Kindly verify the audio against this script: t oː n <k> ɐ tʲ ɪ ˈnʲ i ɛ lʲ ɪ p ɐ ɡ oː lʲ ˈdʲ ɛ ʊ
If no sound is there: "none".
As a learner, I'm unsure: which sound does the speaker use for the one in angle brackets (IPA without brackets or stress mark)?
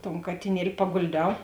k